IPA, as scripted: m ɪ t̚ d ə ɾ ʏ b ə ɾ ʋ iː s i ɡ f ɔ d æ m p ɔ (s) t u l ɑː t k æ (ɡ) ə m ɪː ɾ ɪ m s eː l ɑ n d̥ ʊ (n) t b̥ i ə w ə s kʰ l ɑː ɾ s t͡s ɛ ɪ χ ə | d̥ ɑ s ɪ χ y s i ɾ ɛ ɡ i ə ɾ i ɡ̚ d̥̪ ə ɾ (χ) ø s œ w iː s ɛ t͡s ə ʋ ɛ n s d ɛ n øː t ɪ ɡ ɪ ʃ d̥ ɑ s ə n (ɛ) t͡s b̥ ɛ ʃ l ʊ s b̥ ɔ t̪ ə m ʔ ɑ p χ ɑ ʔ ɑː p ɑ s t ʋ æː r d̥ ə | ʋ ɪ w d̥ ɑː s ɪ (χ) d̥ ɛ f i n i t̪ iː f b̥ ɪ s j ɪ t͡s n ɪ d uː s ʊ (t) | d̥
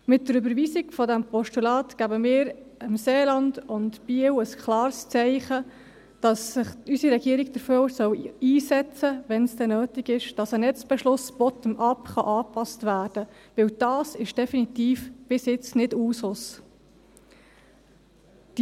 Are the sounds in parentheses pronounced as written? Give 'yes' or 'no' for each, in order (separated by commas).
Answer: no, no, yes, no, yes, no, no